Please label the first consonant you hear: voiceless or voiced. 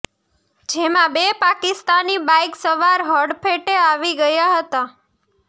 voiced